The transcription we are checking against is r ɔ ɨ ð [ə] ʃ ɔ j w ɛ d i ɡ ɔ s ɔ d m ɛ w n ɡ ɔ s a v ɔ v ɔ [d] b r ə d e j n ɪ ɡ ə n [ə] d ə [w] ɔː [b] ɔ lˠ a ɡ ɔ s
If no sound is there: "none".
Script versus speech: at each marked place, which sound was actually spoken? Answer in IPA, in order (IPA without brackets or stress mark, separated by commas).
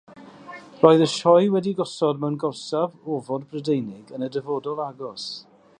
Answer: ə, d, ə, v, d